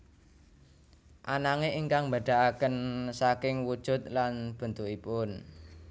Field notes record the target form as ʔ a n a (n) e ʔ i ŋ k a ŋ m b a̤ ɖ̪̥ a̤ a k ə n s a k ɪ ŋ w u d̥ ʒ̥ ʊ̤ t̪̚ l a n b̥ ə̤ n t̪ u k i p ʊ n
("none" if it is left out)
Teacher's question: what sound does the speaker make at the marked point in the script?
ŋ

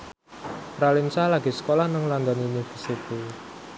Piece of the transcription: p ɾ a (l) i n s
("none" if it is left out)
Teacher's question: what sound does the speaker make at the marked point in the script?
l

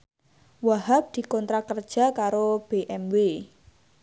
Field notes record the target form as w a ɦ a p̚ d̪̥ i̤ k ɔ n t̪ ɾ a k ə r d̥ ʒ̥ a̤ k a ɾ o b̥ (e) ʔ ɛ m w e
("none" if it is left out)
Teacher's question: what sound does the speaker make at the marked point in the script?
e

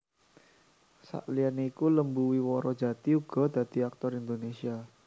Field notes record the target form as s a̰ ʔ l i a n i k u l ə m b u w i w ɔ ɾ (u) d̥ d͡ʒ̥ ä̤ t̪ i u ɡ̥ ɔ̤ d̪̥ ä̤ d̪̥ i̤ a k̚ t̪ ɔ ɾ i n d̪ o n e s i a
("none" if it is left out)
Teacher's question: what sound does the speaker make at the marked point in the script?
ɔ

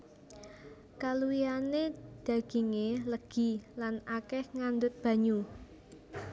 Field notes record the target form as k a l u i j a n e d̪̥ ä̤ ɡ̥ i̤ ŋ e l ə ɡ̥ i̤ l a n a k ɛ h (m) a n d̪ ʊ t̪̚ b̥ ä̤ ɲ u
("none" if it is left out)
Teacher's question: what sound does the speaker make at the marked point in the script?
ŋ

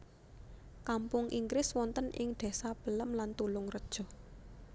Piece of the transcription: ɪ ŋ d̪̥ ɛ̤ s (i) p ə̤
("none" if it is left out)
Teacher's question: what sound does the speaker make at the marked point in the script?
a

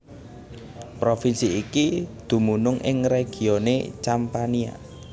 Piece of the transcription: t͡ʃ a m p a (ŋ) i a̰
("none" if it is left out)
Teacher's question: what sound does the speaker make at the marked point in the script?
n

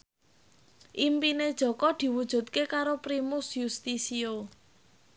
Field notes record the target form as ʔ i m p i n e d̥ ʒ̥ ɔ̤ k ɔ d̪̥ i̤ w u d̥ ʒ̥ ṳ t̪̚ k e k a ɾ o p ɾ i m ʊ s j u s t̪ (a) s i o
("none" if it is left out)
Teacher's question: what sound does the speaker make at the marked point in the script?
i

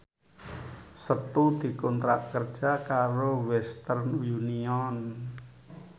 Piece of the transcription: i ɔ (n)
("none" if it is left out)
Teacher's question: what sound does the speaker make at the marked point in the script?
n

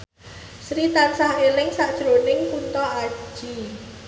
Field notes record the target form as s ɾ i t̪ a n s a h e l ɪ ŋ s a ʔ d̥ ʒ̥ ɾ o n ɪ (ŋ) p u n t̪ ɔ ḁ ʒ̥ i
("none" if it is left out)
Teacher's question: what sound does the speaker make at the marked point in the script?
ŋ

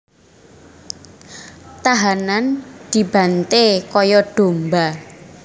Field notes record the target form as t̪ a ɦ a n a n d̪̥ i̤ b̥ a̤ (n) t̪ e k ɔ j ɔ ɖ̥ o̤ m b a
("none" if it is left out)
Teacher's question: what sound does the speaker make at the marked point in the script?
n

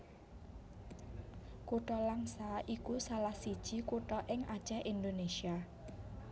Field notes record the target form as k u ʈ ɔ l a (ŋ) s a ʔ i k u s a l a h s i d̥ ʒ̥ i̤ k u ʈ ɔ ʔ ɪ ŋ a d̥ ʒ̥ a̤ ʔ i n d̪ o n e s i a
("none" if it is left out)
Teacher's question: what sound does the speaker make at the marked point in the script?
ŋ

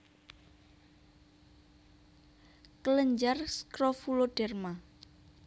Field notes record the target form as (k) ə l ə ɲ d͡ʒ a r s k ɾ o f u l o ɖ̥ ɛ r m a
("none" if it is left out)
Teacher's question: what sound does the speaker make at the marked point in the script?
k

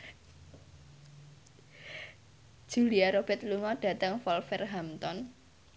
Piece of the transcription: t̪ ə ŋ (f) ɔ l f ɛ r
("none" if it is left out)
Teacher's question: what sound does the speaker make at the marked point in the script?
f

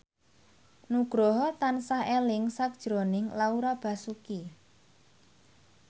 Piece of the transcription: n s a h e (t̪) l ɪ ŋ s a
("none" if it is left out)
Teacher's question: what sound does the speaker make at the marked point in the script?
none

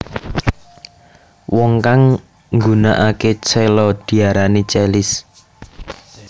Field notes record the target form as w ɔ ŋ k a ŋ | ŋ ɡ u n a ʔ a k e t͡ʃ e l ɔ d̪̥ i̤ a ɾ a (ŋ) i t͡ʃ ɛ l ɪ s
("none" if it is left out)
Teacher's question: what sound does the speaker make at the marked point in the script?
n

